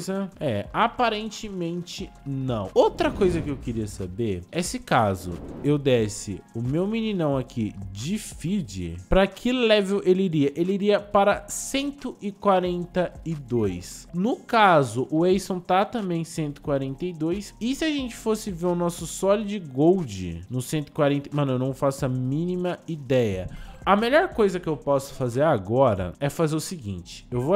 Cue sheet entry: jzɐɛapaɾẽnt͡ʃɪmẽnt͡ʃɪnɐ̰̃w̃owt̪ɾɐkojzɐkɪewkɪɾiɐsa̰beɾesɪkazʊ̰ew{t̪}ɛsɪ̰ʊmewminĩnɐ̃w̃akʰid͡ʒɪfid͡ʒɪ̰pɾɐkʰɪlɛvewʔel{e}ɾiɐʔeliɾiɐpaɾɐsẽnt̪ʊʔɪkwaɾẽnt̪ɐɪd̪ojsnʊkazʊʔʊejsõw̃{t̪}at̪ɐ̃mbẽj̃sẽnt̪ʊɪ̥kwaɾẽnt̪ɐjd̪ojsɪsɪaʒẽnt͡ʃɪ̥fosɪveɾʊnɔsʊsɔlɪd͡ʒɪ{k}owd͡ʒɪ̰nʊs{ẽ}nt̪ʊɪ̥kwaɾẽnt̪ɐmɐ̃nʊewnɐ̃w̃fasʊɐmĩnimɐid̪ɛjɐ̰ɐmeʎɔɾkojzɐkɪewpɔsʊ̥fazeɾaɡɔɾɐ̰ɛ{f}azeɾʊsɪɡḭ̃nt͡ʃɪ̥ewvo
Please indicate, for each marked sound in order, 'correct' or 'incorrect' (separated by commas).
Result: incorrect, incorrect, correct, incorrect, correct, correct